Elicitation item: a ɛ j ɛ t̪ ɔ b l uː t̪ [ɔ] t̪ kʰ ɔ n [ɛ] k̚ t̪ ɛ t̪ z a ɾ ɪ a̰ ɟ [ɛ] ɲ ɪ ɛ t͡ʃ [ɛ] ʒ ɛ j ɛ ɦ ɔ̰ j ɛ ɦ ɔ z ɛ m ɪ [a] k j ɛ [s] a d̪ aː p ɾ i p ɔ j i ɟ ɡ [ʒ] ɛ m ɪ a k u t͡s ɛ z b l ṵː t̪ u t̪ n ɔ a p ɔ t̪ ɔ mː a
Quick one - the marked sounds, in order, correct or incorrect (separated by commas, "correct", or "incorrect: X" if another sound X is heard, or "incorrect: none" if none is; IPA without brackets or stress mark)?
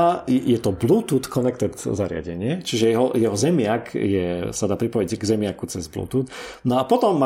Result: incorrect: u, correct, correct, incorrect: i, correct, correct, incorrect: z